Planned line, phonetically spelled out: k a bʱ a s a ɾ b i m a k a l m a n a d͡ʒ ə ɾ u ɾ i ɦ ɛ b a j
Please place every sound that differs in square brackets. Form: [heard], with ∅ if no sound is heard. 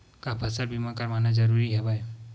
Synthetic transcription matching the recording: k a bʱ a s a ɾ b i m a k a [ɾ] m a n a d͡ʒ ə ɾ u ɾ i ɦ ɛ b a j